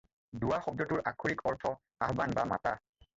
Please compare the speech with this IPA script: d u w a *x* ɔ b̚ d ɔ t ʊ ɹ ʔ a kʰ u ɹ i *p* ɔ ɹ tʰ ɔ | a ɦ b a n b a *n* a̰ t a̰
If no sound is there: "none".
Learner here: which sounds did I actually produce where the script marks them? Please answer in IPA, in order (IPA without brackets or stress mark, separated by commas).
x, k, m